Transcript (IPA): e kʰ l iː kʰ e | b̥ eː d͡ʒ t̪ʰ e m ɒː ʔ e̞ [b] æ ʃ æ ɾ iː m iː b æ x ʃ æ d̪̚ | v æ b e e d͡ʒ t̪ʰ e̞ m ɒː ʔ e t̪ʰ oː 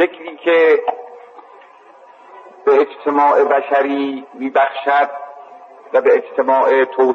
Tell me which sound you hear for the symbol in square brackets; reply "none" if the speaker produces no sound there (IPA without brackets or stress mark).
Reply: b